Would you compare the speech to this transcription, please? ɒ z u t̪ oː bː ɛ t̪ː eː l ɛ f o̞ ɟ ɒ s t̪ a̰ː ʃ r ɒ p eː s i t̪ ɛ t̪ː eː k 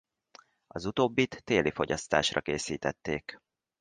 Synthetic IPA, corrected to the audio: ɒ z u t̪ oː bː i t̪ː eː l i f o̞ ɟ ɒ s t̪ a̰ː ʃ r ɒ k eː s iː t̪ ɛ t̪ː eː k